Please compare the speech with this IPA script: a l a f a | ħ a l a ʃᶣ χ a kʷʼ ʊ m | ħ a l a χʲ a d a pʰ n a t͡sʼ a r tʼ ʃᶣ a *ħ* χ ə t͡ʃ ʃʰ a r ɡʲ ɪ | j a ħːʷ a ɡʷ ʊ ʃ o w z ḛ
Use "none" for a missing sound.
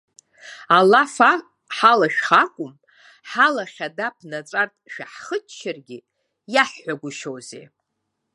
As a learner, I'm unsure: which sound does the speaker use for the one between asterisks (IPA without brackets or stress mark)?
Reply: ħ